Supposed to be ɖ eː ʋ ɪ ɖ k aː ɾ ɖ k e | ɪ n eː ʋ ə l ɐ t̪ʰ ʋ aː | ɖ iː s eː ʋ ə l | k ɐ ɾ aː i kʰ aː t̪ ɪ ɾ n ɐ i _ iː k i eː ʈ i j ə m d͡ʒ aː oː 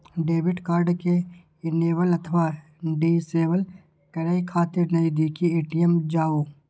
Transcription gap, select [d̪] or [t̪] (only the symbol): d̪